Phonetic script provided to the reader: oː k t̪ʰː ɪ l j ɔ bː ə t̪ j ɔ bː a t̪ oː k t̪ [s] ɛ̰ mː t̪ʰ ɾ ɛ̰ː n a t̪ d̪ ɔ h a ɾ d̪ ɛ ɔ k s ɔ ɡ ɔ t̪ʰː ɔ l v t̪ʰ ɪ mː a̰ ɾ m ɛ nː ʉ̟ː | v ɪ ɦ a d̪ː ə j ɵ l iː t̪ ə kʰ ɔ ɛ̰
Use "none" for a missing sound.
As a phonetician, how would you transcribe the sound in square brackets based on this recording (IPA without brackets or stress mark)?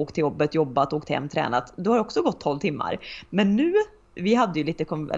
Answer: h